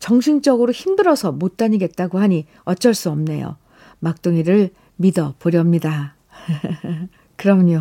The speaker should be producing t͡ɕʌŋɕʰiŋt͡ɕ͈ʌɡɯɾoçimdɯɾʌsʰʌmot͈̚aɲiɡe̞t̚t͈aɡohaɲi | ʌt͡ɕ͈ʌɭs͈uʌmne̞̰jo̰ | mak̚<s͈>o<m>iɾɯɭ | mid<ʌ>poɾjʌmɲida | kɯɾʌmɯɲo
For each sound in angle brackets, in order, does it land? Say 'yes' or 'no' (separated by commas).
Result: no, no, yes